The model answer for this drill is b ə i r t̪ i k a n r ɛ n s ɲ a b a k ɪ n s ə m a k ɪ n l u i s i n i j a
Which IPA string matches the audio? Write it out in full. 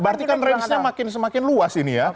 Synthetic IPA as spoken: b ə a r t̪ i k a n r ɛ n s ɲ a m a k ɪ n s ə m a k ɪ n l u a s i n i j a